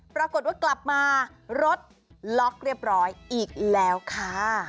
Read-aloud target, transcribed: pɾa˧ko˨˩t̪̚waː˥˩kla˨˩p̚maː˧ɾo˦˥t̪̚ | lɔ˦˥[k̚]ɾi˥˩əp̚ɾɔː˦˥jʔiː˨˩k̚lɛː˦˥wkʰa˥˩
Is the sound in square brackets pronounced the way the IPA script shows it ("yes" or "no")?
yes